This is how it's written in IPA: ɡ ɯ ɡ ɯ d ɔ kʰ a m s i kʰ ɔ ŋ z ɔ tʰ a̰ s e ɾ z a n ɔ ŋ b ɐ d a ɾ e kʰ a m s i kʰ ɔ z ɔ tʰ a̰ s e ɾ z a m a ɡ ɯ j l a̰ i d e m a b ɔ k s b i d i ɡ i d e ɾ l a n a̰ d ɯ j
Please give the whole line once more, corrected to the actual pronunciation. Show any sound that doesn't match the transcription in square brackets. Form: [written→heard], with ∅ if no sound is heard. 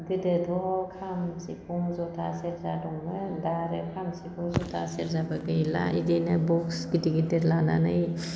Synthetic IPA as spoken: ɡ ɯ [ɡ→d] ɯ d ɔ kʰ a m s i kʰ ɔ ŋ z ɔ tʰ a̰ s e ɾ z a [n→d] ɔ ŋ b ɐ d a ɾ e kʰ a m s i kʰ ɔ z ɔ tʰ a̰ s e ɾ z a [m→b] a ɡ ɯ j l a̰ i d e [m→n] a b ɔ k s [b→ɡ] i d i ɡ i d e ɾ l a n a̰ [d→n] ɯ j

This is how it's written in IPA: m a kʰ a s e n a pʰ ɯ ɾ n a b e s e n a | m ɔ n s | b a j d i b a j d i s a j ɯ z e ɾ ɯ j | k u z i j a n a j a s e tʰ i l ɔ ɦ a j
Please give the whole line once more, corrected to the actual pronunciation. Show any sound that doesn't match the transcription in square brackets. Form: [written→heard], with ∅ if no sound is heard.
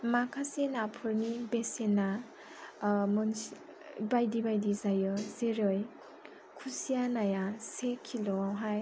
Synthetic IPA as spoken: m a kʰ a s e n a pʰ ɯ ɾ n [a→i] b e s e n a | m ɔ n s | b a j d i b a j d i [s→z] a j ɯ z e ɾ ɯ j | [k→kʰ] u [z→s] i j a n a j a s e [tʰ→kʰ] i l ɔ ɦ a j

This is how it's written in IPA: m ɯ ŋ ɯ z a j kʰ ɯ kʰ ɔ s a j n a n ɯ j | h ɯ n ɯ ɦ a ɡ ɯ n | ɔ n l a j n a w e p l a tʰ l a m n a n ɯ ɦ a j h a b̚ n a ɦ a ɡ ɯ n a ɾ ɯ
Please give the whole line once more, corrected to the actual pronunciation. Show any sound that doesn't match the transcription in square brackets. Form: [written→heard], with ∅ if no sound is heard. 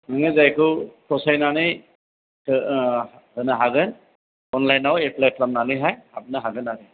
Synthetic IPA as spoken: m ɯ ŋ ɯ z a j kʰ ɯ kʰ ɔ s a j n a n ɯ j | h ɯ n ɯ ɦ a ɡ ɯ n | ɔ n l a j n a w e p l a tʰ l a m n a n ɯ ɦ a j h a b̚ n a ɦ a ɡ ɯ n a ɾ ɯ

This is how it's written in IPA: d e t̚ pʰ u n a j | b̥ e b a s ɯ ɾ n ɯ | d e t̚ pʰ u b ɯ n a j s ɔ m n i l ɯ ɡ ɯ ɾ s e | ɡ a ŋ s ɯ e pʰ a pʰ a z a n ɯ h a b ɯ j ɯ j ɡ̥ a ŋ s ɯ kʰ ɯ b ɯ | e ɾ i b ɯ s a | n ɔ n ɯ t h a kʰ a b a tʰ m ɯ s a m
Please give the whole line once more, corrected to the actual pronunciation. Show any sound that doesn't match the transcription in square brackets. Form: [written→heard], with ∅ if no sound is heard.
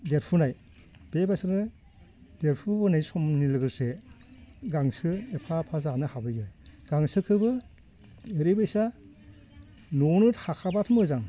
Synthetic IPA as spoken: d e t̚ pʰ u n a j | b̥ e b a s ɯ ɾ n ɯ | d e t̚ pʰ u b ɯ n a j s ɔ m n i l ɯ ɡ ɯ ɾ s e | ɡ a ŋ s ɯ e pʰ a pʰ a z a n ɯ h a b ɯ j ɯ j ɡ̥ a ŋ s ɯ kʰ ɯ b ɯ | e ɾ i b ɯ s a | n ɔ n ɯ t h a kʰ a b a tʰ m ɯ [s→z] a [m→ŋ]

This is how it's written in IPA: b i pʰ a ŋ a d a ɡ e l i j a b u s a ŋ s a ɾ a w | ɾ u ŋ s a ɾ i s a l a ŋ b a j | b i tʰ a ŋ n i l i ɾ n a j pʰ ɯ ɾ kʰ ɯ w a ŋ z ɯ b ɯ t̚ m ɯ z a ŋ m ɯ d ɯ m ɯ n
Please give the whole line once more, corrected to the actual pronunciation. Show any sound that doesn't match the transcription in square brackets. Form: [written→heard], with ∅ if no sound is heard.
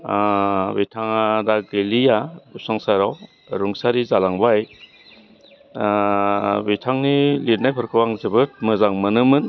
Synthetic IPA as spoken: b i [pʰ→tʰ] a ŋ a d a ɡ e l i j a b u s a ŋ s a ɾ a w | ɾ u ŋ s a ɾ i [s→z] a l a ŋ b a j | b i tʰ a ŋ n i l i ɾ n a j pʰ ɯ ɾ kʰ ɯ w a ŋ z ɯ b ɯ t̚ m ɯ z a ŋ m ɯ [d→n] ɯ m ɯ n

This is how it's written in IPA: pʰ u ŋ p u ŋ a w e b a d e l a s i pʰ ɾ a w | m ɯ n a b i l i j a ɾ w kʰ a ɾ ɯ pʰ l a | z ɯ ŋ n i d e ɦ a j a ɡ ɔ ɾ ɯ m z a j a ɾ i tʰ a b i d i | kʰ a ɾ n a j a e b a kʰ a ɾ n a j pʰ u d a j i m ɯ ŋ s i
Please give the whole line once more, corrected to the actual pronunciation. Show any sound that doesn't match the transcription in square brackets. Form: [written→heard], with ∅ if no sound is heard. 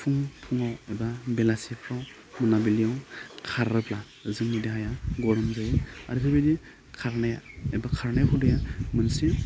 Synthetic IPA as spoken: pʰ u ŋ [p→pʰ] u ŋ a w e b a [d→b] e l a s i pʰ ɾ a w | m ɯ n a b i l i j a [ɾ→∅] w kʰ a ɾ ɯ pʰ l a | z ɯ ŋ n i d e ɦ a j a ɡ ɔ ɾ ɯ m z a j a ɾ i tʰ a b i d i | kʰ a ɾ n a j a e b a kʰ a ɾ n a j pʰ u d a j [i→a] m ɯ [ŋ→n] s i

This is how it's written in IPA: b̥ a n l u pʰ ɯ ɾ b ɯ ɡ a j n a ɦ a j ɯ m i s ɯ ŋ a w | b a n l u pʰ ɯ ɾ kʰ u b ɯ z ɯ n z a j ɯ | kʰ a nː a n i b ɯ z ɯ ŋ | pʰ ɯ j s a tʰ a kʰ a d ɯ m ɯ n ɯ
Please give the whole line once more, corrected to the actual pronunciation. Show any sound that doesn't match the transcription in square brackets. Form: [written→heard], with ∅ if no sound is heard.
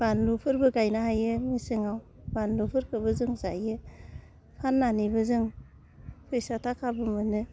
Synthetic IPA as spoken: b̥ a n l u pʰ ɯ ɾ b ɯ ɡ a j n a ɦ a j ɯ m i s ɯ ŋ a w | b a n l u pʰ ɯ ɾ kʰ [u→ɯ] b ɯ z ɯ [n→ŋ] z a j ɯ | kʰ a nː a n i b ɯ z ɯ ŋ | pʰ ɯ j s a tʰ a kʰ a [d→b] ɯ m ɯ n ɯ

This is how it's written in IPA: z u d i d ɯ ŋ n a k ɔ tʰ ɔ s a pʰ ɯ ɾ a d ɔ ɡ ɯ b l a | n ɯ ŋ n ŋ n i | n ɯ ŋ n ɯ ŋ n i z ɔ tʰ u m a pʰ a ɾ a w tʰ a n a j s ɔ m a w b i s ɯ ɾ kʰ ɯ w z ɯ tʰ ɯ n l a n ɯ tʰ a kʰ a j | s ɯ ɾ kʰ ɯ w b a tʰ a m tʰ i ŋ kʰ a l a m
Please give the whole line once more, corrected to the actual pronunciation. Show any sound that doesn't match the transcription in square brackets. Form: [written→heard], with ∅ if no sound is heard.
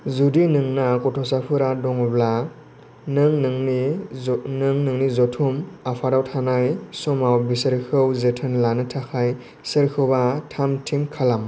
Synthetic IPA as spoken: z u d i [d→n] ɯ ŋ n a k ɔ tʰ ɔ s a pʰ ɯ ɾ a d ɔ [ɡ→ŋ] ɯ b l a | n ɯ ŋ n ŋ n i | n ɯ ŋ n ɯ ŋ n i z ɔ tʰ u m a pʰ a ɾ a w tʰ a n a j s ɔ m a w b i s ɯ ɾ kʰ ɯ w z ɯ tʰ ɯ n l a n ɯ tʰ a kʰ a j | s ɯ ɾ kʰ ɯ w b a tʰ a m tʰ i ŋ kʰ a l a m

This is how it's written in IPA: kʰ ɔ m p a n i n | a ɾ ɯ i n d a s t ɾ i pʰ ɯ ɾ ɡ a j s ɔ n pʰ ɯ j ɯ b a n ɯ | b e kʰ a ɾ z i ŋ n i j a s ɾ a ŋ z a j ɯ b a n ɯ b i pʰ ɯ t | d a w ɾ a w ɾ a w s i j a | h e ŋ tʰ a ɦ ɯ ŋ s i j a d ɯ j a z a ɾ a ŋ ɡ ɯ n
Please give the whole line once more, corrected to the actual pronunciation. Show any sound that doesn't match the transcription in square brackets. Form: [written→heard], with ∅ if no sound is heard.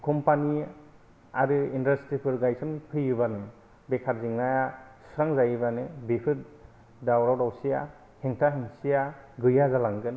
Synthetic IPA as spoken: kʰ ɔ m p a n i [n→∅] | a ɾ ɯ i n d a s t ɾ i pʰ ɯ ɾ ɡ a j s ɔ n pʰ ɯ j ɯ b a n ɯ | b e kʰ a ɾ z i ŋ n [i→a] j a s ɾ a ŋ z a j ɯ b a n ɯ b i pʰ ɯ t | d a w ɾ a w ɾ a w s i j a | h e ŋ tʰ a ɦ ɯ ŋ s i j a [d→ɡ] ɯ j a z a [ɾ→l] a ŋ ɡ ɯ n

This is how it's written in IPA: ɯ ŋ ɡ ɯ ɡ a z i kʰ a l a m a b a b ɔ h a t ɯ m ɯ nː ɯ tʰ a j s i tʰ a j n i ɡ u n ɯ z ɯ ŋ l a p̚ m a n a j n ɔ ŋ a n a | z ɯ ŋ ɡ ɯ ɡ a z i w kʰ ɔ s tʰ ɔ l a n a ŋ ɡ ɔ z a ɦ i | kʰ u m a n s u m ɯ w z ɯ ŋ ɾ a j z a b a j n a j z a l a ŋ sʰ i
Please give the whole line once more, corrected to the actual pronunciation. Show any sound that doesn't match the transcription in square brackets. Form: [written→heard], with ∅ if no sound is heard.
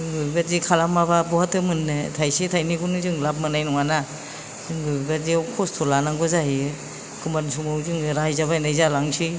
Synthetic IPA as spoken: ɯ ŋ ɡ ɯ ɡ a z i kʰ a l a m a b a b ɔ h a t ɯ m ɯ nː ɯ tʰ a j s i tʰ a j n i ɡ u n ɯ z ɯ ŋ l a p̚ m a n a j n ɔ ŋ a n a | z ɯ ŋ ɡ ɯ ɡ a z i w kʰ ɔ s tʰ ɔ l a n a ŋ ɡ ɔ z a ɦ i | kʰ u m a n s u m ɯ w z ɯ ŋ ɾ a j z a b a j n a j z a l a ŋ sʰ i

